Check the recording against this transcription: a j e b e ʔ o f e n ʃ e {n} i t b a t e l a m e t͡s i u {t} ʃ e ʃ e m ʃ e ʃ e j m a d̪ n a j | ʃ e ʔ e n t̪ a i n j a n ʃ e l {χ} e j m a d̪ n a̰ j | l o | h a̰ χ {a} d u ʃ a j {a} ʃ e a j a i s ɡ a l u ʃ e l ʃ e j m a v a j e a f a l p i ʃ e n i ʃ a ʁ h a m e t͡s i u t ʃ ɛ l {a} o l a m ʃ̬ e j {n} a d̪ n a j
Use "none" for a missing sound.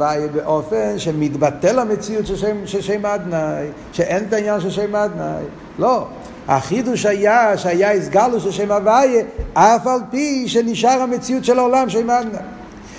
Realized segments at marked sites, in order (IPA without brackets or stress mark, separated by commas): m, t, ʃ, i, a, a, m